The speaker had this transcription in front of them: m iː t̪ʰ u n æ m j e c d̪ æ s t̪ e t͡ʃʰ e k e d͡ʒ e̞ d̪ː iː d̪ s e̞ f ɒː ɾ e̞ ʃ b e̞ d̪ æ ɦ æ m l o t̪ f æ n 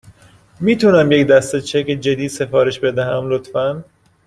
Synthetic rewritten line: m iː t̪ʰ u n æ m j e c d̪ æ s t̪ e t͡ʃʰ e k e d͡ʒ e̞ d̪ iː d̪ s e̞ f ɒː ɾ e̞ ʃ b e̞ d̪ æ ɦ æ m l o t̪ f æ n